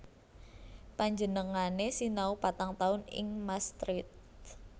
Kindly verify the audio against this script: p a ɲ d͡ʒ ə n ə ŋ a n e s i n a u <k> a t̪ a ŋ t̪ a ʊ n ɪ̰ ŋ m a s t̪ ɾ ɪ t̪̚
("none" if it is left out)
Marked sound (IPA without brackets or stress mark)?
p